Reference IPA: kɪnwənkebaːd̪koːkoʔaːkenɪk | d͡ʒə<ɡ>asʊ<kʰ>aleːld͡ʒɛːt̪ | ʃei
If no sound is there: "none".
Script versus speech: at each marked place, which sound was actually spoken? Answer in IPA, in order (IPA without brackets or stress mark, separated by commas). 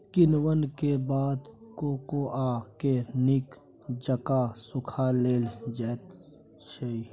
k, kʰ